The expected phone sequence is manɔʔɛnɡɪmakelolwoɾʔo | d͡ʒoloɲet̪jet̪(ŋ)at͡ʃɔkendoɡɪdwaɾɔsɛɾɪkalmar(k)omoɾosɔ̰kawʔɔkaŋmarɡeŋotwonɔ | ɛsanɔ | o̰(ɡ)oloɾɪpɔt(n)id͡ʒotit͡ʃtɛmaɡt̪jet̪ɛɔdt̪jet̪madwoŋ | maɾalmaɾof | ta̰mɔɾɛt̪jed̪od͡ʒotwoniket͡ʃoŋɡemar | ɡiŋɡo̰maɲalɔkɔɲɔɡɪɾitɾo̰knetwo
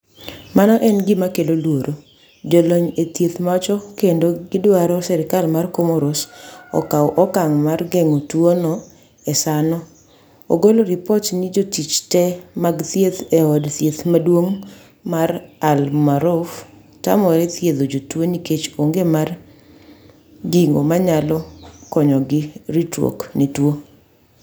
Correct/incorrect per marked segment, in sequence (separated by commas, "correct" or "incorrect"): incorrect, correct, correct, correct